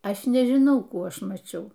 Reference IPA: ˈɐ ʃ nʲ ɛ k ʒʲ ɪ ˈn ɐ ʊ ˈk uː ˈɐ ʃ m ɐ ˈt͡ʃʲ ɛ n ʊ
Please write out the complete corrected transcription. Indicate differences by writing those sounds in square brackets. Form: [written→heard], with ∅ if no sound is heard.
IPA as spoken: ˈɐ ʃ nʲ ɛ [k→∅] ʒʲ ɪ ˈn ɐ ʊ ˈk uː ˈɐ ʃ m ɐ ˈt͡ʃʲ ɛ [n→∅] ʊ